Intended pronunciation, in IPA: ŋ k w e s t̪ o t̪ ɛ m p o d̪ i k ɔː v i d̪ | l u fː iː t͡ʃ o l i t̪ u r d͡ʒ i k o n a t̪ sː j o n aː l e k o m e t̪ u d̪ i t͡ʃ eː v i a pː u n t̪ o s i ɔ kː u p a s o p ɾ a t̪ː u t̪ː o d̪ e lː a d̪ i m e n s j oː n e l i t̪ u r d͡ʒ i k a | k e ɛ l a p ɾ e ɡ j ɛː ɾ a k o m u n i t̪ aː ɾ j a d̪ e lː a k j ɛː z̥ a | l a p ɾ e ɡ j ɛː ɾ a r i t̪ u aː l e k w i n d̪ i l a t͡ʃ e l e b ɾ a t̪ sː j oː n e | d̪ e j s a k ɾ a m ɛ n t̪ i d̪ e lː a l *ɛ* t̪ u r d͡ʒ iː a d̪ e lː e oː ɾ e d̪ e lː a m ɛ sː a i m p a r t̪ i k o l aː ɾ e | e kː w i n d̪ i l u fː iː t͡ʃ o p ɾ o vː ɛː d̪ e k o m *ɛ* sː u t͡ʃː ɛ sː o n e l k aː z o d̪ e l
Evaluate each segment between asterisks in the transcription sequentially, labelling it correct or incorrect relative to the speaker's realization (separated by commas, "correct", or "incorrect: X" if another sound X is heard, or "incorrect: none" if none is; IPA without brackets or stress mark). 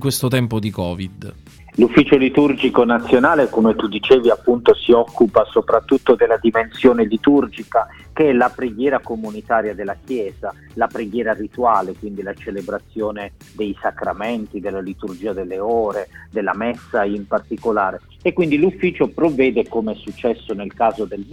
incorrect: i, correct